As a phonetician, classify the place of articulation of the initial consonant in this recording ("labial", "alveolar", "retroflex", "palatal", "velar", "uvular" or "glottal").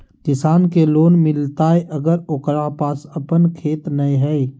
velar